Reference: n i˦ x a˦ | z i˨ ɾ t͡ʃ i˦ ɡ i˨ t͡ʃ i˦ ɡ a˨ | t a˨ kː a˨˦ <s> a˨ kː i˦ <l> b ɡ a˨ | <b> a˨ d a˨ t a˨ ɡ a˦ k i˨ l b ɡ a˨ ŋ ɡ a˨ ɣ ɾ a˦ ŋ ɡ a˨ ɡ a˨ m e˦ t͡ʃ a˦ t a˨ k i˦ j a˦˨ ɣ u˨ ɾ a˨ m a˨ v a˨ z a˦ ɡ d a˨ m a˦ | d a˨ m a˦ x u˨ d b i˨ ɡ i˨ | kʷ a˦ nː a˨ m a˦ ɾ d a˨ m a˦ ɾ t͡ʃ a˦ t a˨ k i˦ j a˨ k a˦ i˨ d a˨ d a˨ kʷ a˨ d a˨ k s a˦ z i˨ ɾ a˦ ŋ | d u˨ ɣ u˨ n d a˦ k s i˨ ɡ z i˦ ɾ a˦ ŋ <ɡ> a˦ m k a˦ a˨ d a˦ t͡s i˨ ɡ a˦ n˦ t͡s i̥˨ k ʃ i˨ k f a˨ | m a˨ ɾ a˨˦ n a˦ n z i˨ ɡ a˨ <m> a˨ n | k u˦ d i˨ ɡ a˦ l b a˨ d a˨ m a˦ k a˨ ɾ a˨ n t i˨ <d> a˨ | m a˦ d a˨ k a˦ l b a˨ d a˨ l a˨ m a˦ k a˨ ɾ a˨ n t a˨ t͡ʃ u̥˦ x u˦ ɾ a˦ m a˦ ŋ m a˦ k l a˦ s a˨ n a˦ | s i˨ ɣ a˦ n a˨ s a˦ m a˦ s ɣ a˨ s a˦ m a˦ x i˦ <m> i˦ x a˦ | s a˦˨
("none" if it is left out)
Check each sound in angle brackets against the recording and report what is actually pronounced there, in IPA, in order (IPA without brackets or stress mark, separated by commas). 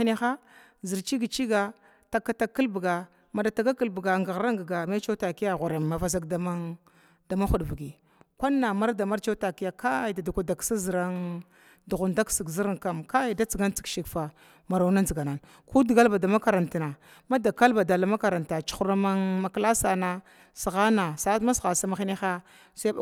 t, l, m, k, n, n, n